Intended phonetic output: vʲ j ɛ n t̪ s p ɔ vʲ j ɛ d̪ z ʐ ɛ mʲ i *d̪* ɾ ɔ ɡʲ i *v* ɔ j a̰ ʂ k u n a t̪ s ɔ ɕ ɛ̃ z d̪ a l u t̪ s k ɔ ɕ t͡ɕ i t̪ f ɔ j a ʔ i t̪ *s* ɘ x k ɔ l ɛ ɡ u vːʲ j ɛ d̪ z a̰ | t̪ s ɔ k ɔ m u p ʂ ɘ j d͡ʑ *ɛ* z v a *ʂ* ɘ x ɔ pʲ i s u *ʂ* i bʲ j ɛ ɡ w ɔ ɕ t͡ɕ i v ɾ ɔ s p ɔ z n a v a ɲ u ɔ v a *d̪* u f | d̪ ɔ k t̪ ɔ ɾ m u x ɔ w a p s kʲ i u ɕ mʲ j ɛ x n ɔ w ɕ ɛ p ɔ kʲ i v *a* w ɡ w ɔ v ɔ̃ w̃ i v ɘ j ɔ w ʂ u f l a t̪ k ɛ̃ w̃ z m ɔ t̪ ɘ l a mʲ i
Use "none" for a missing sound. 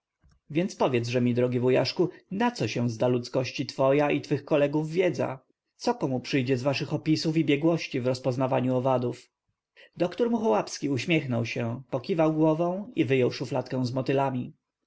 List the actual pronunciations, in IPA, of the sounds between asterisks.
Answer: d̪, v, f, ɛ, ʂ, f, d̪, a

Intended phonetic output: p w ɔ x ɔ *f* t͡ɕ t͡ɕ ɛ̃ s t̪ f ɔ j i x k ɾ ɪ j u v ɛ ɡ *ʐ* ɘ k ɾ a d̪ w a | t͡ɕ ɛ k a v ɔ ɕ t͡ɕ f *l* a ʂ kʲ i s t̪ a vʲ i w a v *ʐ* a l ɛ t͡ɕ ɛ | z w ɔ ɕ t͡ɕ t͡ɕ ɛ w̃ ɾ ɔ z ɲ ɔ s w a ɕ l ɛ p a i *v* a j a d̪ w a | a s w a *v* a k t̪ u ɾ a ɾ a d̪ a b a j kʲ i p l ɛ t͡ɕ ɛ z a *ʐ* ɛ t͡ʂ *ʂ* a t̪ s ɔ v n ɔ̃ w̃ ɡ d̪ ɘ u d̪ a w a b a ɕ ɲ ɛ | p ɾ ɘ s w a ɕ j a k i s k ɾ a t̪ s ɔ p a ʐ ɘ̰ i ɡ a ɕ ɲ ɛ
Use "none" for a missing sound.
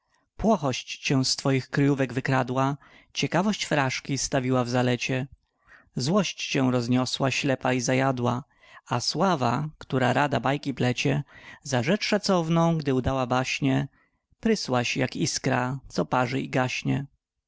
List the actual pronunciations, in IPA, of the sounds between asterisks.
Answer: ɕ, v, ɾ, z, z, v, ʐ, ʂ

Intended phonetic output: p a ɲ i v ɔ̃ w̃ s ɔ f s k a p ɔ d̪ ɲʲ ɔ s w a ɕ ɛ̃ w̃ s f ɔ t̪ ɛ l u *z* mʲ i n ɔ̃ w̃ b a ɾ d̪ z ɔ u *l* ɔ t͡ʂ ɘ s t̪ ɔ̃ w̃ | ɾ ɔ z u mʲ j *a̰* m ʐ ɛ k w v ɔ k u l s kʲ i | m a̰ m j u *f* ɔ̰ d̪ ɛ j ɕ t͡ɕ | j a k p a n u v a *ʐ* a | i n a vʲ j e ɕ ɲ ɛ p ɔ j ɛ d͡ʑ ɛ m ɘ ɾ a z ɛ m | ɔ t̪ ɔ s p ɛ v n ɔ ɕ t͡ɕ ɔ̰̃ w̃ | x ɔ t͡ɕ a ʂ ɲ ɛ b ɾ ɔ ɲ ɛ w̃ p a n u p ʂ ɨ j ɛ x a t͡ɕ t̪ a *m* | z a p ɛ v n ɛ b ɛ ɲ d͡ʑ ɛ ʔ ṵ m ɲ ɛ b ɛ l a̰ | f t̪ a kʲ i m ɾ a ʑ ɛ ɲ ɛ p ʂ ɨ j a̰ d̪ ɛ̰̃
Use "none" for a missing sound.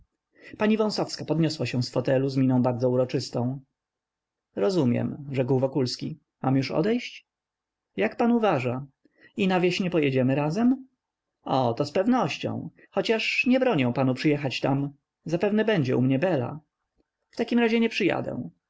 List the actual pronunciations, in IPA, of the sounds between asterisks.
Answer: z, ɾ, ɛ̰, ʂ, ʐ, m

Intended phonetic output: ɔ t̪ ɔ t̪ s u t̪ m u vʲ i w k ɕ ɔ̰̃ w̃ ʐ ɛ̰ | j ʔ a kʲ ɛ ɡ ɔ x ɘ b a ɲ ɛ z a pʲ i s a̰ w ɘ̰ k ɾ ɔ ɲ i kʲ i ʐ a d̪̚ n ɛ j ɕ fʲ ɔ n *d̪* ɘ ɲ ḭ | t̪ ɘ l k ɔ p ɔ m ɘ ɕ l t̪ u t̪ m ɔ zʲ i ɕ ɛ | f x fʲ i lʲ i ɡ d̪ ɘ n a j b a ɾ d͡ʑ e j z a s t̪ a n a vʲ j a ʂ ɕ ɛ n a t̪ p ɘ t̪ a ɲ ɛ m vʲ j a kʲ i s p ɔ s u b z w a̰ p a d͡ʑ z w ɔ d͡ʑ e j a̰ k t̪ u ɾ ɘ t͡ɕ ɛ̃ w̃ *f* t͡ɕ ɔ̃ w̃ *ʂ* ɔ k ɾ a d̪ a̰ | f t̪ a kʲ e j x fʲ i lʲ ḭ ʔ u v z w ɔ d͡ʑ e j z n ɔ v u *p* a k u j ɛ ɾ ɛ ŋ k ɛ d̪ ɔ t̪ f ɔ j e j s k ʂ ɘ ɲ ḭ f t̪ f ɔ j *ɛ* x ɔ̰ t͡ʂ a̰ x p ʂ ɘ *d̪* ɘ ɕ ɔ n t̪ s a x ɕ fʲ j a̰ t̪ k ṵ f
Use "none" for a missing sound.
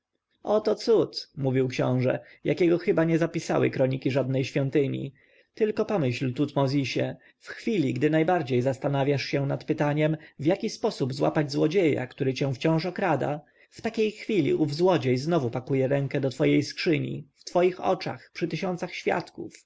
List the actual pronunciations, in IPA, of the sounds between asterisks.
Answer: t̪, f, ʂ, p, i, t̪

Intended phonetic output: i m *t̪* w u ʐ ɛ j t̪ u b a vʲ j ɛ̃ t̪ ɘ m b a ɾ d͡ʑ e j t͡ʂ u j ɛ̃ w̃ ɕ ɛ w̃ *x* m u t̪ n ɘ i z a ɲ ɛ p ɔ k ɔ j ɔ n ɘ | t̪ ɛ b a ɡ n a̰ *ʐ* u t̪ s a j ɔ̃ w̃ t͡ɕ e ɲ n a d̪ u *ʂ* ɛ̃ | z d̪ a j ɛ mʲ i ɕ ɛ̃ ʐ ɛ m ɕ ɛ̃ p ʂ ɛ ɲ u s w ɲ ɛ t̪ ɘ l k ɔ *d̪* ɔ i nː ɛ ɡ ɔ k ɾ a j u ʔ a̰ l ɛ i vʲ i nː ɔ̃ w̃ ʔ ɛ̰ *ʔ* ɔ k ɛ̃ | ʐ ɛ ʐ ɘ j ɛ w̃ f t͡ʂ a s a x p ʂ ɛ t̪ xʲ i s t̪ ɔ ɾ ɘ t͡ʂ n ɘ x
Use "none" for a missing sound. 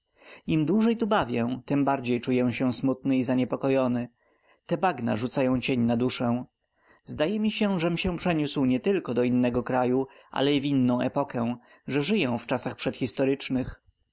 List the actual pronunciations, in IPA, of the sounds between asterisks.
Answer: d̪, s, ʐ, ʂ, d̪, p

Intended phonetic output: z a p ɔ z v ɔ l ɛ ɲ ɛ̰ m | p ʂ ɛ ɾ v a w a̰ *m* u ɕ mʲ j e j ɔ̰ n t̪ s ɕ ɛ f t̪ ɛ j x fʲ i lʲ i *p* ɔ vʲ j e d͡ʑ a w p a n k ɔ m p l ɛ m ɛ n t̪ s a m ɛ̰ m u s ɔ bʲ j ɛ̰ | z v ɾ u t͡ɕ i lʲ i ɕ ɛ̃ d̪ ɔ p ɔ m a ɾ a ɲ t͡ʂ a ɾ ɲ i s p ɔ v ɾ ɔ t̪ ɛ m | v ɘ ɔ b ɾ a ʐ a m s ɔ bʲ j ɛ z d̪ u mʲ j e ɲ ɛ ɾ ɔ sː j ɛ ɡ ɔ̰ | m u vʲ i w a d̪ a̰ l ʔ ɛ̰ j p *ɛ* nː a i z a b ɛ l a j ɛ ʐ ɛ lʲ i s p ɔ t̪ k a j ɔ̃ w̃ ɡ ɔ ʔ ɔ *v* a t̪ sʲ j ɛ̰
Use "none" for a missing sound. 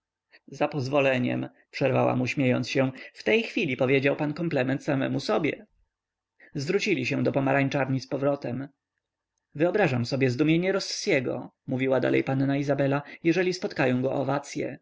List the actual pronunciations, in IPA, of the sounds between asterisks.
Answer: m, p, a, v

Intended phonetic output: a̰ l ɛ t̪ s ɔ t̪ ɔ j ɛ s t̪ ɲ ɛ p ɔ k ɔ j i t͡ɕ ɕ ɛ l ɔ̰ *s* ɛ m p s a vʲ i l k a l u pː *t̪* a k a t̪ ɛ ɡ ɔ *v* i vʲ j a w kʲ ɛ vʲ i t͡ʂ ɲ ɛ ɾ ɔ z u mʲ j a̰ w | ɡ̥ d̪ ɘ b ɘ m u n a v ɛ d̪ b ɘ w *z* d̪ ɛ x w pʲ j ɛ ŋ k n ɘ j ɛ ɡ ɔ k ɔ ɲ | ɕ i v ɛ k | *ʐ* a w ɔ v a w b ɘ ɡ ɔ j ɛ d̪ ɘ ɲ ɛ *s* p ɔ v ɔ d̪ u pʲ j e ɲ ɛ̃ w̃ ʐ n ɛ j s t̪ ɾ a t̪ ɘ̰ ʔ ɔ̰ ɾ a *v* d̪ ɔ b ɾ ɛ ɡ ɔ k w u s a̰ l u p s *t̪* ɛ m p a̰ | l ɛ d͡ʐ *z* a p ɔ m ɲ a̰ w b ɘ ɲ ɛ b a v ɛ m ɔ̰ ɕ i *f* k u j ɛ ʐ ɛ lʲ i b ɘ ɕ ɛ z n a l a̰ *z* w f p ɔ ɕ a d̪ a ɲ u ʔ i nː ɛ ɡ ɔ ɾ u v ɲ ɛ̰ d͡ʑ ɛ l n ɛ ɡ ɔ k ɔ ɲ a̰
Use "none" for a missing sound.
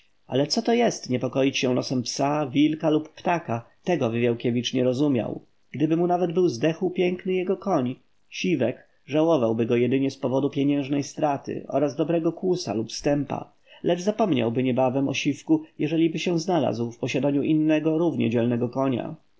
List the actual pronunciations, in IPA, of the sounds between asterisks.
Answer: s, t̪, v, z, ʐ, s, z, t̪, z, f, z

